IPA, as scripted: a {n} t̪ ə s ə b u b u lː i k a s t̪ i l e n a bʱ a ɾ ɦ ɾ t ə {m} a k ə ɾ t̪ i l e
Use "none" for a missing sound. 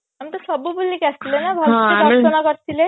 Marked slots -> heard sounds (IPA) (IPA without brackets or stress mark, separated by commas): m, n